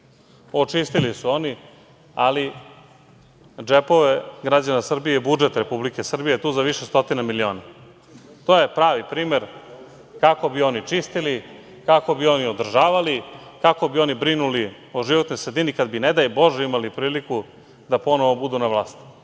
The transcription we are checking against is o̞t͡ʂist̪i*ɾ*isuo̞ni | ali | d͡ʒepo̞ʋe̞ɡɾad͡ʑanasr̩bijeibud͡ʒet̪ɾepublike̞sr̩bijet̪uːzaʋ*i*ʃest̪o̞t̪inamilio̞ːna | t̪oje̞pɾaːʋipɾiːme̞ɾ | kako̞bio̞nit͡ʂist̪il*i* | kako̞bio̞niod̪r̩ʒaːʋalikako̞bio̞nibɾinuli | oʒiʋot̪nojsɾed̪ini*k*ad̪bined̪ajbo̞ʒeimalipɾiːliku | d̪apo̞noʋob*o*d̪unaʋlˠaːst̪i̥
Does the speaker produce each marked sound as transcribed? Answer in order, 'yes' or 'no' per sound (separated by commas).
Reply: no, yes, yes, yes, no